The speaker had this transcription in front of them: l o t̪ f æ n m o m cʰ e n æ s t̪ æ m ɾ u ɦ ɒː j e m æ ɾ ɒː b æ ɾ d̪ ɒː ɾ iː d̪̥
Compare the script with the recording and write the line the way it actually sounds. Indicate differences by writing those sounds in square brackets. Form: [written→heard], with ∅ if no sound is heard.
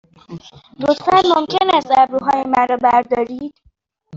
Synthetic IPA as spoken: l o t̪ f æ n m o m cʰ e n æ s t̪ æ [m→b] ɾ u ɦ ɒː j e m æ ɾ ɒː b æ ɾ d̪ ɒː ɾ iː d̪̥